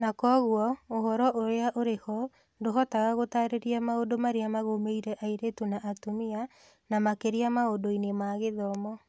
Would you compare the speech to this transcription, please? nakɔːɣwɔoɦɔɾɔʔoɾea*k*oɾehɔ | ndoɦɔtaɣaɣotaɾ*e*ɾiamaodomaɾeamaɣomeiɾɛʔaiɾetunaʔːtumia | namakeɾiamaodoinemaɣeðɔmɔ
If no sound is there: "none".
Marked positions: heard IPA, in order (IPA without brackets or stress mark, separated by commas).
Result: ʔ, e